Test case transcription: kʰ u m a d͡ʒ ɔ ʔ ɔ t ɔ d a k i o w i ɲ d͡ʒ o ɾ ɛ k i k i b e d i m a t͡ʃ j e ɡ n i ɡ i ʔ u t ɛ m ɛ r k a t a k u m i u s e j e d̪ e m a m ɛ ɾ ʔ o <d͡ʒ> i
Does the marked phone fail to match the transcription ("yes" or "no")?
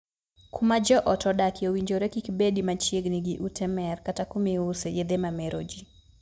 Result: no